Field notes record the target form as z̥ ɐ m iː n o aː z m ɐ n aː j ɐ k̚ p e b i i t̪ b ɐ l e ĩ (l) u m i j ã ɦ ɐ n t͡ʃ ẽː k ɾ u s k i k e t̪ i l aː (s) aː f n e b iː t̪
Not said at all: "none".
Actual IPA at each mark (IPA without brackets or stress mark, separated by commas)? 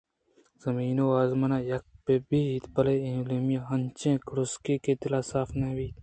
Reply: l, s